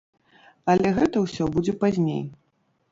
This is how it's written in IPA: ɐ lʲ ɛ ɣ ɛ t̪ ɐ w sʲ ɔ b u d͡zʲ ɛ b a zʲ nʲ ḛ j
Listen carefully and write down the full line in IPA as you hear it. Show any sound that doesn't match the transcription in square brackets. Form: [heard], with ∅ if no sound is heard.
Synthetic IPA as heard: ɐ lʲ ɛ ɣ ɛ t̪ ɐ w sʲ ɔ b u d͡zʲ ɛ [p] a zʲ nʲ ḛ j